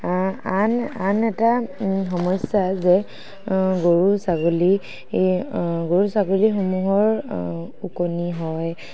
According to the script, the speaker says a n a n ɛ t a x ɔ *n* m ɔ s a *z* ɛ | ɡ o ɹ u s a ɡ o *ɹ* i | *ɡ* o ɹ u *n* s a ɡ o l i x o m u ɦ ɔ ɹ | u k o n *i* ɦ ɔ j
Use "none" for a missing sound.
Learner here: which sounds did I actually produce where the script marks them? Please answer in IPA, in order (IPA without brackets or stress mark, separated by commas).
none, z, l, ɡ, none, i